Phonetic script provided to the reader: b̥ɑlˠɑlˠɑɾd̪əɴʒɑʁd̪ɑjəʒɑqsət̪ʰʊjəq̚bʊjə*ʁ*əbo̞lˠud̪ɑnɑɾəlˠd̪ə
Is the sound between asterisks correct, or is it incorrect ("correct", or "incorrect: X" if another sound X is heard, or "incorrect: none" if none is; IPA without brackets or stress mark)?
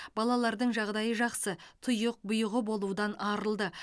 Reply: correct